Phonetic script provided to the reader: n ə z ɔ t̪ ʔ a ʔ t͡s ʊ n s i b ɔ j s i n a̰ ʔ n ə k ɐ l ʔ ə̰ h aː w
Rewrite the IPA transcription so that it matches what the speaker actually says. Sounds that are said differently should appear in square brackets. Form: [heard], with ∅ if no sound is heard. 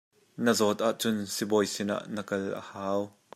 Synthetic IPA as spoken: n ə z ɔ t̪ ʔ a ʔ t͡s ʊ n s i b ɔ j s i n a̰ ʔ n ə k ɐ l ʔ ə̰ h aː w